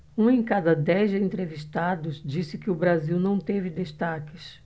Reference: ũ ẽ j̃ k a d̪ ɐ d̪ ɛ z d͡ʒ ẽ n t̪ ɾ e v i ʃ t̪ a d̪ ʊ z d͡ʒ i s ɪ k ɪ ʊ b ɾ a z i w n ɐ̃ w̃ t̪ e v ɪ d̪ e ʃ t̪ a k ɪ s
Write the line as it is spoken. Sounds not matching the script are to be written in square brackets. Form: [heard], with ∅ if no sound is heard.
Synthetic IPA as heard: ũ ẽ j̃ k a d̪ ɐ d̪ ɛ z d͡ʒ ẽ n t̪ ɾ e v i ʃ t̪ a d̪ ʊ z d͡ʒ i s ɪ k ɪ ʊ b ɾ a z i w n ɐ̃ w̃ t̪ e v ɪ d̪ e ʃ t̪ a k ɪ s